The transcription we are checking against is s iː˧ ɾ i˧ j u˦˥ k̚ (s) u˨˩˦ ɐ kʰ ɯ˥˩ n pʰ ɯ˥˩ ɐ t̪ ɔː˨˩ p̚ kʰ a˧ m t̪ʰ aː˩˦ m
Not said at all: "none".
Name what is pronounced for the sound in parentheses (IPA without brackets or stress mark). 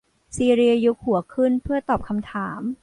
h